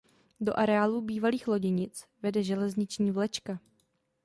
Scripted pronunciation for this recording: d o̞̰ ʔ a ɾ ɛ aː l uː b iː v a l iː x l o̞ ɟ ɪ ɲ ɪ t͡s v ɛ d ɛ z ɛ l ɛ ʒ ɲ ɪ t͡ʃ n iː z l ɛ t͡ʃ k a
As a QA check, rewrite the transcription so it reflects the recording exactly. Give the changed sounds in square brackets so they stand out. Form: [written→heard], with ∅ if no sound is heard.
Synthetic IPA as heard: d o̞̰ ʔ a ɾ ɛ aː l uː b iː v a l iː x l o̞ ɟ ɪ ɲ ɪ t͡s v ɛ d ɛ [z→ʒ] ɛ l ɛ [ʒ→z] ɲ ɪ t͡ʃ [n→ɲ] iː [z→v] l ɛ t͡ʃ k a